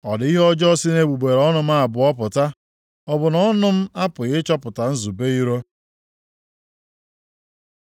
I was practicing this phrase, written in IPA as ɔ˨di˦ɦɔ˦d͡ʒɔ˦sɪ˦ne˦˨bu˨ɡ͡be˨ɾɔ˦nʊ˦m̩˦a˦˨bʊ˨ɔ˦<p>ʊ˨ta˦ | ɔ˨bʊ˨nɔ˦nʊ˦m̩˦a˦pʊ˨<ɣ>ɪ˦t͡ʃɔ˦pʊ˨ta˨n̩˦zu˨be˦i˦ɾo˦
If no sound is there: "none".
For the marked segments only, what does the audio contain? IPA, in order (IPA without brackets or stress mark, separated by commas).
p, ɣ